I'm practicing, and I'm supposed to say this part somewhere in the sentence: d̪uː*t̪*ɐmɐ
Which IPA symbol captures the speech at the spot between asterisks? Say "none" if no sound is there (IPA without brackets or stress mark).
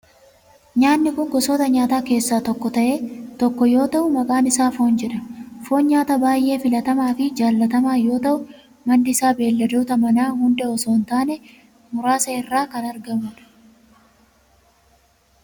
t̪